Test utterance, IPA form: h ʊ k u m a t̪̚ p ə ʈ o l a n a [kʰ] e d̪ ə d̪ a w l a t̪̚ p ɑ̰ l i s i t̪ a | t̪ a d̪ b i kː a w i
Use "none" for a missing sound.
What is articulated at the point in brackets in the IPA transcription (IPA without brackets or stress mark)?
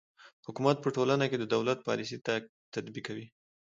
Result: k